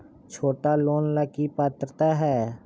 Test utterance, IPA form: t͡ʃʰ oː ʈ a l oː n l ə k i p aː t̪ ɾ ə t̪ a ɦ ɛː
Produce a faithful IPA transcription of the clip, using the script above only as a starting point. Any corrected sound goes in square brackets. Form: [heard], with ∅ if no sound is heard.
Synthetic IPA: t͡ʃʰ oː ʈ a l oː n l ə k i p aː t̪ ɾ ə t̪ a ɦ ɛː

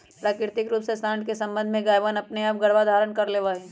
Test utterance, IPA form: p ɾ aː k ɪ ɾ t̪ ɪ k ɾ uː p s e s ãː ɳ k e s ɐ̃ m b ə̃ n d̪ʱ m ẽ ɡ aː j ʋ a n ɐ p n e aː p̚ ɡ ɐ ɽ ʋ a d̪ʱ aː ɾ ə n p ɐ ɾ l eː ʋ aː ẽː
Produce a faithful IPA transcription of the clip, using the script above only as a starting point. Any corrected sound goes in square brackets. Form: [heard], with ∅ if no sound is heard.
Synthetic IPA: p ɾ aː k ɪ ɾ t̪ ɪ k ɾ uː p s e s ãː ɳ k e s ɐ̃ m b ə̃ n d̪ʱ m ẽ ɡ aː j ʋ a n ɐ p n e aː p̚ ɡ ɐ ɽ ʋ a d̪ʱ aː ɾ ə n [k] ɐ ɾ l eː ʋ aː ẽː

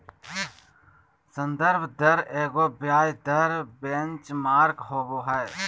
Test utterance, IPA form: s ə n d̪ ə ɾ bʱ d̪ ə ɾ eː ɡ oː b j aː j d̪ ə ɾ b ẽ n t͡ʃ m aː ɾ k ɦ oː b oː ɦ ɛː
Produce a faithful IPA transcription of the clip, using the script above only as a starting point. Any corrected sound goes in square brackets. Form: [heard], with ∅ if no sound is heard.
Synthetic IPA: s ə n d̪ ə ɾ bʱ d̪ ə ɾ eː ɡ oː b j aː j d̪ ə ɾ b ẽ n t͡ʃ m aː ɾ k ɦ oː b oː ɦ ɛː

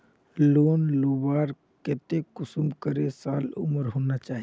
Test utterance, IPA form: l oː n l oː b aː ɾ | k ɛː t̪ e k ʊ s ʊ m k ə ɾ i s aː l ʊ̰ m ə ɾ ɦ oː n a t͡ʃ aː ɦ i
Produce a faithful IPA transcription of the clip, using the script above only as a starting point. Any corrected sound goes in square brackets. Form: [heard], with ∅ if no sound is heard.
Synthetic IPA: l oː n l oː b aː ɾ | k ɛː t̪ e k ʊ s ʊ m k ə ɾ [e] s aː l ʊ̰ m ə ɾ ɦ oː n a t͡ʃ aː ɦ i

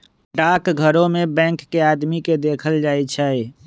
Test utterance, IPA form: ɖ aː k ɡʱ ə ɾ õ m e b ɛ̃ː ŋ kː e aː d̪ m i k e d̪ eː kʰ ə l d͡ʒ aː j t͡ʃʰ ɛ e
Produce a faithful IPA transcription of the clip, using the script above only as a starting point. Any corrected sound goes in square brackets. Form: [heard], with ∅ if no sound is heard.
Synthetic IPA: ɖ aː k ɡʱ ə ɾ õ m e b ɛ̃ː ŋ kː e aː d̪ m i k e d̪ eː kʰ ə l d͡ʒ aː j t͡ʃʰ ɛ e

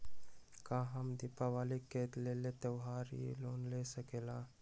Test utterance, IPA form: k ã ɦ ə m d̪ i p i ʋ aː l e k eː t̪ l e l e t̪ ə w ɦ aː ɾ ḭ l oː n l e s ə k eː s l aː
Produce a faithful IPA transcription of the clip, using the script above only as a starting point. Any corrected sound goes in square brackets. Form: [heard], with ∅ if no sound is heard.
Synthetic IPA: k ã ɦ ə m d̪ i p [a] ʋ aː l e k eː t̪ l e l e t̪ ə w ɦ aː ɾ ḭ l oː n l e s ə k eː [∅] l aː

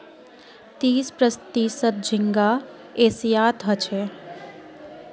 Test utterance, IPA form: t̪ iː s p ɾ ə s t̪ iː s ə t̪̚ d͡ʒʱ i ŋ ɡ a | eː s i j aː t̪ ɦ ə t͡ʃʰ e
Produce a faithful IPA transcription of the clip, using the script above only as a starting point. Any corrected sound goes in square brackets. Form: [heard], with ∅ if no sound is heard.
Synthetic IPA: t̪ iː s p ɾ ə s t̪ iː s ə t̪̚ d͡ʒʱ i ŋ ɡ a | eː s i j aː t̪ ɦ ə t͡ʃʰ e

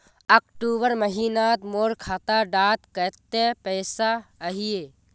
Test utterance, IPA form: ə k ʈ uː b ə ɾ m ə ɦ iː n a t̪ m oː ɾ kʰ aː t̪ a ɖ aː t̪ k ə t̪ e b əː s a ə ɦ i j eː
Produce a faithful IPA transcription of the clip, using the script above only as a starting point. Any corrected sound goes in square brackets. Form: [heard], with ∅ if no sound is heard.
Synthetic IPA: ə k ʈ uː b ə ɾ m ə ɦ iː n a t̪ m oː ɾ kʰ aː t̪ a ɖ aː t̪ k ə t̪ e [p] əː s a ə ɦ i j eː

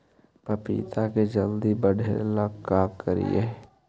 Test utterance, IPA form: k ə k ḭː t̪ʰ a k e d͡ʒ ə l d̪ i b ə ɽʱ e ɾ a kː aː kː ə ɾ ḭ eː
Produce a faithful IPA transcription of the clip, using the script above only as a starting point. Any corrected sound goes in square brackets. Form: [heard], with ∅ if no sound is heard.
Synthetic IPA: [p] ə [p] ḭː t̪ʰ a k e d͡ʒ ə l d̪ i b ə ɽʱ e [l] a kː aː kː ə ɾ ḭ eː

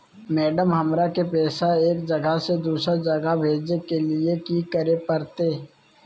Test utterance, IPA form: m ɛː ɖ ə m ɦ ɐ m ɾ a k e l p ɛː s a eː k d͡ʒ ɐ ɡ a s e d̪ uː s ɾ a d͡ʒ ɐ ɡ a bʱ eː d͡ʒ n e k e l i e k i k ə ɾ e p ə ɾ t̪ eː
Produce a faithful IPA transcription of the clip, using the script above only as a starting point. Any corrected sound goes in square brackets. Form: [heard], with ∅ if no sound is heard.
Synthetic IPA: m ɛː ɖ ə m ɦ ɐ m ɾ a k e [∅] p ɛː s a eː k d͡ʒ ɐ ɡ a s e d̪ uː s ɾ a d͡ʒ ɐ ɡ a bʱ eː d͡ʒ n e k e l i e k i k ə ɾ e p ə ɾ t̪ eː

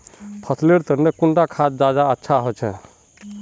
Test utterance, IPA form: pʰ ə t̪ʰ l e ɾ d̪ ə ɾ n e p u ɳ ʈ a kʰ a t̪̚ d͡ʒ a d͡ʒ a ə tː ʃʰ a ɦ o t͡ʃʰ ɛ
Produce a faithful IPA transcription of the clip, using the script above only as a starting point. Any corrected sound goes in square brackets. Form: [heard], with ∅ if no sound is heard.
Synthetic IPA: pʰ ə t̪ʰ l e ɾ [t̪] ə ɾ n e [k] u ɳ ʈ a kʰ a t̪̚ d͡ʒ a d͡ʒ a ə tː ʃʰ a ɦ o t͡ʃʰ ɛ

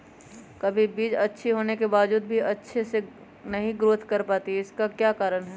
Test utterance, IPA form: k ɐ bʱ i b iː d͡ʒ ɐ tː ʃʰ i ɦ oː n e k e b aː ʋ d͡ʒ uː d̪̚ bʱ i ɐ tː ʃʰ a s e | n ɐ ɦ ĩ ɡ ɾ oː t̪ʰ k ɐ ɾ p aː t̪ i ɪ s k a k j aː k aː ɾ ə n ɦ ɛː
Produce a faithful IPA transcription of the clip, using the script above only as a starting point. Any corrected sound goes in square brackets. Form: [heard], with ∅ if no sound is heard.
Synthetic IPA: k ɐ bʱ i b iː d͡ʒ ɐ tː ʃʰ i ɦ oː n e k e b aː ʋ d͡ʒ uː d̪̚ bʱ i ɐ tː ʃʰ [e] s e | n ɐ ɦ ĩ ɡ ɾ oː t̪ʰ k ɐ ɾ p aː t̪ i ɪ s k a k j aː k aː ɾ ə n ɦ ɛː

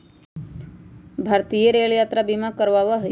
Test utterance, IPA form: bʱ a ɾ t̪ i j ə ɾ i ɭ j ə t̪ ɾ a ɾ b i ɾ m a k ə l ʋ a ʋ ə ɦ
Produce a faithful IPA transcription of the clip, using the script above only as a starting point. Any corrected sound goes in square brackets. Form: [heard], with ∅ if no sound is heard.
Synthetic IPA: bʱ a ɾ t̪ i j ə ɾ [e] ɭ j [a] t̪ ɾ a [∅] b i [∅] m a k ə [ɾ] ʋ a ʋ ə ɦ

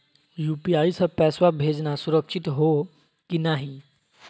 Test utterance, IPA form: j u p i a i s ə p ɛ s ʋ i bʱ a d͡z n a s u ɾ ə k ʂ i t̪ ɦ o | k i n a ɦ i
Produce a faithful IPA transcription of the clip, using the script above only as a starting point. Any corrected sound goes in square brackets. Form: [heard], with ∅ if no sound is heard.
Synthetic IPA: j u p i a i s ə p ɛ s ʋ [a] bʱ [e] d͡z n a s u ɾ ə k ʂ i t̪ ɦ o | k i n a ɦ i

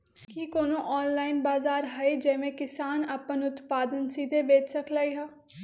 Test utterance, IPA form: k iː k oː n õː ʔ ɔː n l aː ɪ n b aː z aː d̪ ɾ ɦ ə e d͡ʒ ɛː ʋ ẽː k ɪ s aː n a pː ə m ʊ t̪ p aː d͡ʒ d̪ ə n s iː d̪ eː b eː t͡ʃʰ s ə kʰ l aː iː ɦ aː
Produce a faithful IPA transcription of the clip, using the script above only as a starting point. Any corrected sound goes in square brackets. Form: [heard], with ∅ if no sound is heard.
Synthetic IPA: k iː k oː n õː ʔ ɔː n l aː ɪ n b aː z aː [∅] ɾ ɦ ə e d͡ʒ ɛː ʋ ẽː k ɪ s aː n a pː ə [n] ʊ t̪ p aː [∅] d̪ ə n s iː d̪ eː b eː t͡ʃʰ s ə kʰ l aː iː ɦ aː

